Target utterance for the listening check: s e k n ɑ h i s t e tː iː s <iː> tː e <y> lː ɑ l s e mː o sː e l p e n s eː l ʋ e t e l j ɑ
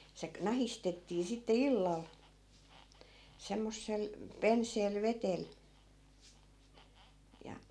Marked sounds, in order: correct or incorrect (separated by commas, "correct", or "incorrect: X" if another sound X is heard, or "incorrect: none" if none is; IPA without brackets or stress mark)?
incorrect: i, incorrect: i